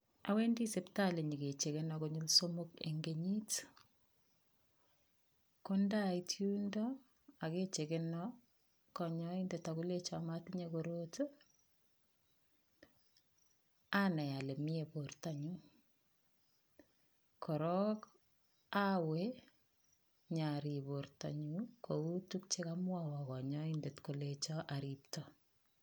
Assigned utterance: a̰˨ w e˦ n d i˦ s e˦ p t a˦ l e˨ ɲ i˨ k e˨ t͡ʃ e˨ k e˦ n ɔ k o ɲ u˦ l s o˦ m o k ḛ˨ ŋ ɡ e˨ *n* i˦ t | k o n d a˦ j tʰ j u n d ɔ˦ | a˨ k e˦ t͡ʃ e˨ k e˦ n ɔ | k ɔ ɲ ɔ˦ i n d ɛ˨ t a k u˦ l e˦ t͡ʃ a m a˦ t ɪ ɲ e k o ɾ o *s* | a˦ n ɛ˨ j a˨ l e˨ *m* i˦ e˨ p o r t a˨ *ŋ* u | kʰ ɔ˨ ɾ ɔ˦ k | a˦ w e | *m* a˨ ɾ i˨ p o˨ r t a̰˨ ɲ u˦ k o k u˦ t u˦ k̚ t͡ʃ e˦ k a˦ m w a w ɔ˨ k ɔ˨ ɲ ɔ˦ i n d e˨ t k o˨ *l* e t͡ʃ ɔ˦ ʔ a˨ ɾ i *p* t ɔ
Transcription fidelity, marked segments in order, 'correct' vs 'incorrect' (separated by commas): incorrect, incorrect, correct, incorrect, incorrect, correct, correct